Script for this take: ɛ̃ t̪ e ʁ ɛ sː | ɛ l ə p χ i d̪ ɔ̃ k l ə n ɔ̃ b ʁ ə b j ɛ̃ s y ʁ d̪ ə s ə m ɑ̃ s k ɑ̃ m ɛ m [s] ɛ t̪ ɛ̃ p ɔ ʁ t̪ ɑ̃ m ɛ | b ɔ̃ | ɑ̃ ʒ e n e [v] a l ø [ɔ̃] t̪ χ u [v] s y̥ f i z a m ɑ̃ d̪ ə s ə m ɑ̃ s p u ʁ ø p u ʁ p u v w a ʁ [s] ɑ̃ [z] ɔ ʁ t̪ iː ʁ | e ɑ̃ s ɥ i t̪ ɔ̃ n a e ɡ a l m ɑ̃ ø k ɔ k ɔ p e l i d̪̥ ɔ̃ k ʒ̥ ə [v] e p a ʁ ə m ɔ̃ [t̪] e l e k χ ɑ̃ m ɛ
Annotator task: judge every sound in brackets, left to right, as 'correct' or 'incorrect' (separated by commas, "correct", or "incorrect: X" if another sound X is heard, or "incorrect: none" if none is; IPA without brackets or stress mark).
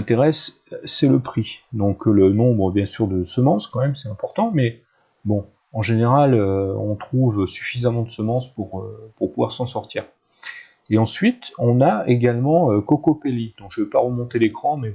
correct, incorrect: ʁ, correct, correct, correct, incorrect: s, correct, correct